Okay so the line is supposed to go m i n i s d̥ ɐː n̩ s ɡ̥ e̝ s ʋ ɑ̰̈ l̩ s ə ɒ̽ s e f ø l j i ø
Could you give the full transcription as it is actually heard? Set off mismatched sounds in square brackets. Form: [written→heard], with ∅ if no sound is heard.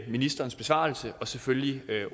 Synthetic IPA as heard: m i n i s d̥ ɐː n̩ s [ɡ̥→b̥] e̝ s ʋ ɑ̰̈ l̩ s ə ɒ̽ s e f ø l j i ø